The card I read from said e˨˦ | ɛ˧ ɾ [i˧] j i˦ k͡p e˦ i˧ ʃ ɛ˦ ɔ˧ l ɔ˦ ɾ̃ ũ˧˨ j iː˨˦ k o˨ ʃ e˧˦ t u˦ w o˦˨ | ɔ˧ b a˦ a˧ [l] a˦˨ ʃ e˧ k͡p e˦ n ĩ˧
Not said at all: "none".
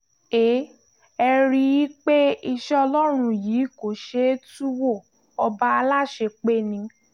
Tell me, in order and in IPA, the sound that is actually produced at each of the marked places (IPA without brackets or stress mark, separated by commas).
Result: i˧, l